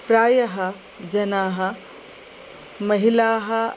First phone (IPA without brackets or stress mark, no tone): p